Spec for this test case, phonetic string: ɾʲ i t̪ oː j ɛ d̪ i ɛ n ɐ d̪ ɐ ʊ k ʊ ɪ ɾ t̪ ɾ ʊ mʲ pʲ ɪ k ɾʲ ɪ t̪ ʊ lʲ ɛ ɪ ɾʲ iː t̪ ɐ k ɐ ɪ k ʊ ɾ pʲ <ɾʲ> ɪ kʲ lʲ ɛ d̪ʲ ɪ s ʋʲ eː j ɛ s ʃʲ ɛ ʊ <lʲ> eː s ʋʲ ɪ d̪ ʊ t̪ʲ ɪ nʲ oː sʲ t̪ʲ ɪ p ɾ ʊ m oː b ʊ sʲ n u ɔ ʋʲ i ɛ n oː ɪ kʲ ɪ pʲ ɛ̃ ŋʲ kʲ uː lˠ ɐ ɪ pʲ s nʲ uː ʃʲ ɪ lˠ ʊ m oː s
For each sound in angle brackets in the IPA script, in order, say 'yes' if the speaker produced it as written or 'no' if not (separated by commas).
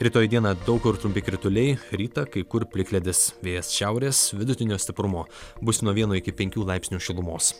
no, no